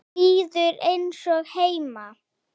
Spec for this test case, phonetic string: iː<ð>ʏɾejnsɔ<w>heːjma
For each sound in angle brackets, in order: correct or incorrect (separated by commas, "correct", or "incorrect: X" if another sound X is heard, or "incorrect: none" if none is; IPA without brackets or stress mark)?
correct, incorrect: ɣ